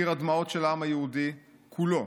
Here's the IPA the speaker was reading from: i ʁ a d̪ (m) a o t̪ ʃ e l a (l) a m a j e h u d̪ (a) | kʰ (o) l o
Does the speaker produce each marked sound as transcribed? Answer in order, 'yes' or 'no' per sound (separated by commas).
yes, no, no, no